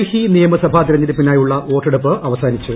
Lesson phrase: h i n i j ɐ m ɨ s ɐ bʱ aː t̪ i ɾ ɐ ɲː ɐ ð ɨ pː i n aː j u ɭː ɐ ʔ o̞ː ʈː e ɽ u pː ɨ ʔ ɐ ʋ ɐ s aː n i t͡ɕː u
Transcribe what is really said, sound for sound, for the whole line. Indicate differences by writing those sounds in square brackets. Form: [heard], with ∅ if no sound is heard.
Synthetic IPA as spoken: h i n i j ɐ m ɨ s ɐ bʱ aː t̪ i ɾ ɐ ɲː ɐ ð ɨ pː i n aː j u ɭː ɐ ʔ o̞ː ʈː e ɽ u pː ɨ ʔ ɐ ʋ ɐ s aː n i t͡ɕː u